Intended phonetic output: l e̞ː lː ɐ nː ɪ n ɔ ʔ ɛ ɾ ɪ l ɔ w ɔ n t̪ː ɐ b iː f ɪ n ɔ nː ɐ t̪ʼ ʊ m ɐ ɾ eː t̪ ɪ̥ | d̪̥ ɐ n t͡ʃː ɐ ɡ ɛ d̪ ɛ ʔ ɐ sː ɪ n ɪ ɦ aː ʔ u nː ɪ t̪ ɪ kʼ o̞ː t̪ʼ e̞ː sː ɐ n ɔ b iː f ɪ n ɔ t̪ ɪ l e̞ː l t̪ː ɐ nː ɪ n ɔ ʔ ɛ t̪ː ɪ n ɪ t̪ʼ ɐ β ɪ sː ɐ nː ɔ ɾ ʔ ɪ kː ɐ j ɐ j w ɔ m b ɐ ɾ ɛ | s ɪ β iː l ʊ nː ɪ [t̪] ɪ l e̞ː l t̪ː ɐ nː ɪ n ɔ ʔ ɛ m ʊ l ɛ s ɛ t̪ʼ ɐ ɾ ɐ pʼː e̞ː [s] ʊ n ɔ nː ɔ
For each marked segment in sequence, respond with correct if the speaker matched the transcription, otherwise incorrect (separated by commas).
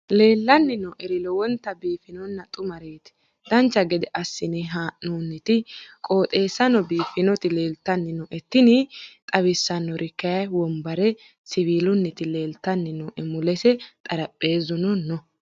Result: correct, incorrect